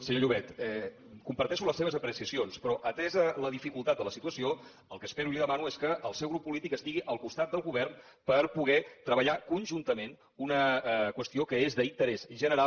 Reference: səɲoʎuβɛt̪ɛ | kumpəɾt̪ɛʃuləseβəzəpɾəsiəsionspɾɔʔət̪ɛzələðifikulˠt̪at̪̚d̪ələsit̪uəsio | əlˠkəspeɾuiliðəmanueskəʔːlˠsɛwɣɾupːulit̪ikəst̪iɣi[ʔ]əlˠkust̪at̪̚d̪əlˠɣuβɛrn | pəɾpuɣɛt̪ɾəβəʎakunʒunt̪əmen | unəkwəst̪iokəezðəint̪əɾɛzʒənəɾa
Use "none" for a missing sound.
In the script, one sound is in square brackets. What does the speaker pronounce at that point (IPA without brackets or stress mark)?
ʔ